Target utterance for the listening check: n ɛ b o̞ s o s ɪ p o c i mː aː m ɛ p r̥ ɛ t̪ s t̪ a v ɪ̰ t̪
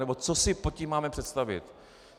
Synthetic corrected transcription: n ɛ b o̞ t͡s o s ɪ p o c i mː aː m ɛ p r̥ ɛ t̪ s t̪ a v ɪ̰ t̪